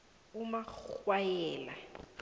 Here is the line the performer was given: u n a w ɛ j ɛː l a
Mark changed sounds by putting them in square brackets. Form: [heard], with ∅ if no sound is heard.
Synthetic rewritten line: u [m] a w [a] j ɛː l a